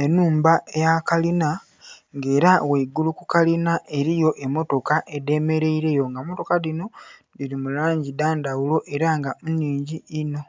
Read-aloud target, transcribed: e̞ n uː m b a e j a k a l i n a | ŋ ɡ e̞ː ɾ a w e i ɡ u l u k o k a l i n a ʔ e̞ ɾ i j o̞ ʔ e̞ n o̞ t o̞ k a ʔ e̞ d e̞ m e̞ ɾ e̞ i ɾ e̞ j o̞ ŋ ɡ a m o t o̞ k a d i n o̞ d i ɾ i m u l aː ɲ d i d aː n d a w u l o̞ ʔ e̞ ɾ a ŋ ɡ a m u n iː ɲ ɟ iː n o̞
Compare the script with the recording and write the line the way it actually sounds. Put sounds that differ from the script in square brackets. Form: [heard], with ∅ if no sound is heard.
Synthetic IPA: e̞ n uː m b a e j a k a l i n a | ŋ ɡ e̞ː ɾ a w e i ɡ u l u k [u] k a l i n a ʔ e̞ ɾ i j o̞ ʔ e̞ [m] o̞ t o̞ k a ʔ e̞ d e̞ m e̞ ɾ e̞ i ɾ e̞ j o̞ ŋ ɡ a m o t o̞ k a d i n o̞ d i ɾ i m u l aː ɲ [ɟ] i d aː n d a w u l o̞ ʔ e̞ ɾ a ŋ ɡ a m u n iː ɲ ɟ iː n o̞